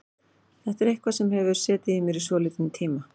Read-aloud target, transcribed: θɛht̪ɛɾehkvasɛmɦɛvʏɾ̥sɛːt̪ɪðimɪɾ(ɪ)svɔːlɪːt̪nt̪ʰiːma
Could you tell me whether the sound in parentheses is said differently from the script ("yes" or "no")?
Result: yes